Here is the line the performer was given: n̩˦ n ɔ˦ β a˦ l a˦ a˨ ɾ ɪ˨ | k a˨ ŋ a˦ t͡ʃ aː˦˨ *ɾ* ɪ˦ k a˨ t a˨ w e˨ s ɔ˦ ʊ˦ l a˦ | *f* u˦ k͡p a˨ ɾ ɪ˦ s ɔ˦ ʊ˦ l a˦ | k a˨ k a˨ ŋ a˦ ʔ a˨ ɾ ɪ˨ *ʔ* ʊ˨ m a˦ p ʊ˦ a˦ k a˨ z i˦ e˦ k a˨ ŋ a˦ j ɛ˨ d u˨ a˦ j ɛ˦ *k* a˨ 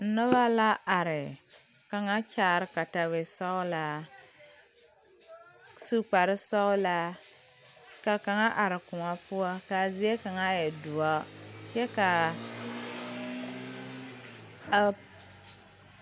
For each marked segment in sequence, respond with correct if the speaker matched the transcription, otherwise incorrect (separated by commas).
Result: correct, incorrect, incorrect, correct